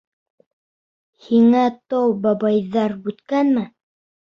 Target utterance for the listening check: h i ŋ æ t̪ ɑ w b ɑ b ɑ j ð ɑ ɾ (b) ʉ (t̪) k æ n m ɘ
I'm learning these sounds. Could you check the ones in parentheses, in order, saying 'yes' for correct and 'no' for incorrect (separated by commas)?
yes, yes